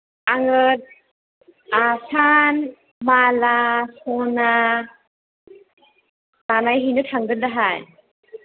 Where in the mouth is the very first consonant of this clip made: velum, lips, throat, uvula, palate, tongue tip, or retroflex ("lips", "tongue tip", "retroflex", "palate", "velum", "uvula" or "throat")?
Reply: velum